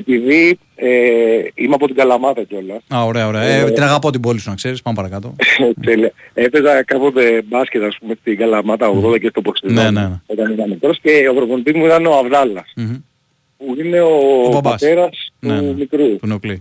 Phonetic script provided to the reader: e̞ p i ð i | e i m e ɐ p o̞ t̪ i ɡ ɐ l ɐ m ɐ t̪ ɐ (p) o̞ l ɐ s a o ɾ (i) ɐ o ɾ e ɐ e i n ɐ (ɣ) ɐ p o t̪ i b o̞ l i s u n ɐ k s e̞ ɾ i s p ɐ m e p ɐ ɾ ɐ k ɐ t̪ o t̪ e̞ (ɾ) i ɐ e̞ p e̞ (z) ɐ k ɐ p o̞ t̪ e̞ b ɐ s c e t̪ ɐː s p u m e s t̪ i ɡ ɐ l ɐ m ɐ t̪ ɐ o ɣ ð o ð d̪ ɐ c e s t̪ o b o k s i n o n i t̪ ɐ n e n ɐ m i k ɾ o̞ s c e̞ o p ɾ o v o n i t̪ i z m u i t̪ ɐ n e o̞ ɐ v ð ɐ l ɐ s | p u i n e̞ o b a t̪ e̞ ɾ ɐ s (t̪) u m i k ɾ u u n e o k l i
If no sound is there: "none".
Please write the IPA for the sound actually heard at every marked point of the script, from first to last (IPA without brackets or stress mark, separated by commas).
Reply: c, e, ɣ, l, z, t̪